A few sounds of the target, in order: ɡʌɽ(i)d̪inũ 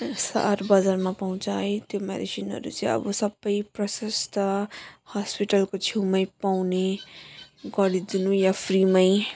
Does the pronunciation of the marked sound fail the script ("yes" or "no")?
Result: no